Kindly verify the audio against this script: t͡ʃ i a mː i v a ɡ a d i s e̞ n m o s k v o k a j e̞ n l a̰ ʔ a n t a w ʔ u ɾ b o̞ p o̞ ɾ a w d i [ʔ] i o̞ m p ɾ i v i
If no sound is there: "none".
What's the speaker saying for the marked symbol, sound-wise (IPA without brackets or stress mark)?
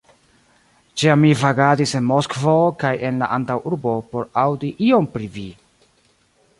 ʔ